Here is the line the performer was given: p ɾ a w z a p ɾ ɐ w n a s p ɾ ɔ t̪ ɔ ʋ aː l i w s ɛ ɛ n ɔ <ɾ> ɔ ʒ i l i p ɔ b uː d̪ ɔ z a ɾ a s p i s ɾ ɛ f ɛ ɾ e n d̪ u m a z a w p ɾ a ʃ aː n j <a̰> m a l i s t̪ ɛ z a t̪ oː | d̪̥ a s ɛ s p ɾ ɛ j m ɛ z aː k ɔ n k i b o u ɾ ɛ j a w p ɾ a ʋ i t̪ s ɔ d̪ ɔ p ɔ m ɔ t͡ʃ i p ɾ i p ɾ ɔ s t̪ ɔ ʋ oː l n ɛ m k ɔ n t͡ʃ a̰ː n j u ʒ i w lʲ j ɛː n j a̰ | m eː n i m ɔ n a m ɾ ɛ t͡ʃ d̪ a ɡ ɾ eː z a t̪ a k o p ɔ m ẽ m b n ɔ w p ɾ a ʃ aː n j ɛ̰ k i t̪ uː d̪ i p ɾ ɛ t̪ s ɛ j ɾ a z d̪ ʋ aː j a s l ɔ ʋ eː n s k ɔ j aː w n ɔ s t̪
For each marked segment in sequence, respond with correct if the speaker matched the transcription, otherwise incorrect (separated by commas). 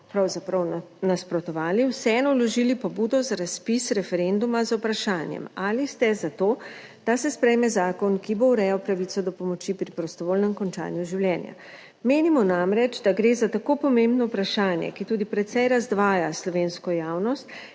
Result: incorrect, incorrect